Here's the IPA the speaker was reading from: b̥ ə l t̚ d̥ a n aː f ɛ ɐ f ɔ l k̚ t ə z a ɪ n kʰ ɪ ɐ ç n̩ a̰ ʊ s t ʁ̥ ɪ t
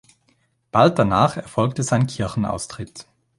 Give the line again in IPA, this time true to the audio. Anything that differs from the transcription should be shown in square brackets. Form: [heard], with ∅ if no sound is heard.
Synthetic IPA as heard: b̥ [a] l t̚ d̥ a n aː [χ] ɛ ɐ f ɔ l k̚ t ə z a ɪ n kʰ ɪ ɐ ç n̩ a̰ ʊ s t ʁ̥ ɪ t